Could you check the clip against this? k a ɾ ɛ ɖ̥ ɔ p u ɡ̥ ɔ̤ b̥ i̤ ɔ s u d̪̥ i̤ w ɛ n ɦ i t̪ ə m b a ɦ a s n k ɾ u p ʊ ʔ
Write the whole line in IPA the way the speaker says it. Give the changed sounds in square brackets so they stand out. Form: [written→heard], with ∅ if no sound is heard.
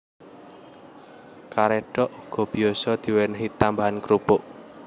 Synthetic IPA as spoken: k a ɾ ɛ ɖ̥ ɔ [p→ʔ] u ɡ̥ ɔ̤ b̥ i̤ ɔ s [u→ɔ] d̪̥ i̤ w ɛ n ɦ i t̪ [ə→a] m b a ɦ a [s→∅] n k ɾ u p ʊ ʔ